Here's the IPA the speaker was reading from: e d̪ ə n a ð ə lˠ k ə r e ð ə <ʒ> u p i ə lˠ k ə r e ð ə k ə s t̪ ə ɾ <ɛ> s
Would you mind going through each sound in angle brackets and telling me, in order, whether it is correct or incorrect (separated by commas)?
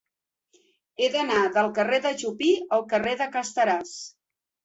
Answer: correct, incorrect